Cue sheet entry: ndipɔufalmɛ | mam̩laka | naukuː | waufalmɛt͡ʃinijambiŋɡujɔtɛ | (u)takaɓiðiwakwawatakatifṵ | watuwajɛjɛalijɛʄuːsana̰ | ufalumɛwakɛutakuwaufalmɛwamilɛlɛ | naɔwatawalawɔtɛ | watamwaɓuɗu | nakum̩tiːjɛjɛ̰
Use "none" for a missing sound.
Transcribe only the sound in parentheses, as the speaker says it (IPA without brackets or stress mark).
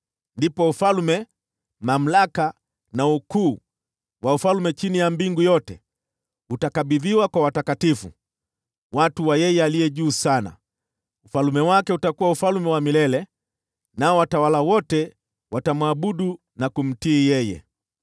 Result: u